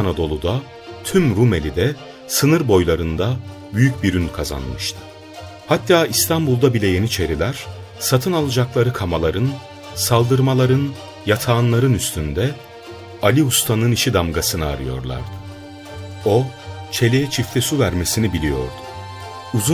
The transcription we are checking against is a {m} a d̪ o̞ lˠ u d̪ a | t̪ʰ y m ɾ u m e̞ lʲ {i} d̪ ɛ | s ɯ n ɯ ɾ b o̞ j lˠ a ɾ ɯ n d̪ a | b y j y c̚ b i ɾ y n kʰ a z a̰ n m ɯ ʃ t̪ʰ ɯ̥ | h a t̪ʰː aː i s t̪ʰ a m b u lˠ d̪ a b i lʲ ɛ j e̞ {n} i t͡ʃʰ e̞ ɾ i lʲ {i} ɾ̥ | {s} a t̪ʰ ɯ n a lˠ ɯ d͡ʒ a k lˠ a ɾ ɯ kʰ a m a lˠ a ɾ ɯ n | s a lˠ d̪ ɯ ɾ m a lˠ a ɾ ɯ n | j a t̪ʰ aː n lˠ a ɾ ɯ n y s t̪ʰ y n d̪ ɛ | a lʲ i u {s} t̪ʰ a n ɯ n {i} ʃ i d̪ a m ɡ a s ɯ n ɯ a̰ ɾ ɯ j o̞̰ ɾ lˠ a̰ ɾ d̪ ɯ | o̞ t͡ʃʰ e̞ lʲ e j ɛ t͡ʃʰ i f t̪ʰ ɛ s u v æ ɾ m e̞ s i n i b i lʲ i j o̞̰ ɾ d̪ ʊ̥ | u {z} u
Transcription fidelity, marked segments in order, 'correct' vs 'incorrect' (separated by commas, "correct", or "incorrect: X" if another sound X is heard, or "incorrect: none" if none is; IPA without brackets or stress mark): incorrect: n, correct, correct, incorrect: æ, correct, correct, correct, correct